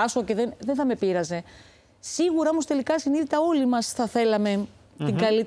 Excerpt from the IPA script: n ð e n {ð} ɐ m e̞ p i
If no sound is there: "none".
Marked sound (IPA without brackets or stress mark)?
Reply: θ